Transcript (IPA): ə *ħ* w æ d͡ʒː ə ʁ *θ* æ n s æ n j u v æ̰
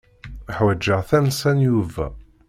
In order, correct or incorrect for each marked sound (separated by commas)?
correct, correct